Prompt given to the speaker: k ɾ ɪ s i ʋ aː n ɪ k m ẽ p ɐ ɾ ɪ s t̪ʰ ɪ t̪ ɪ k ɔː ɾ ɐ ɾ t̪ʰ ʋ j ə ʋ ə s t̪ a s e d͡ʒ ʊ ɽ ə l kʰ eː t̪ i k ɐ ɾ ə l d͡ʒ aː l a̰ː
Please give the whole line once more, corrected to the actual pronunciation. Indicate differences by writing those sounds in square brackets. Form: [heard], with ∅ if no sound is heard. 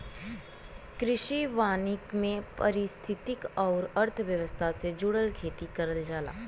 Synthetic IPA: k ɾ ɪ [ʃ] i ʋ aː n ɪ k m ẽ p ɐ ɾ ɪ s t̪ʰ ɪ t̪ ɪ k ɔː ɾ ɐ ɾ t̪ʰ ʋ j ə ʋ ə s [t̪ʰ] a s e d͡ʒ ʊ ɽ ə l kʰ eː t̪ i k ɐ ɾ ə l d͡ʒ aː l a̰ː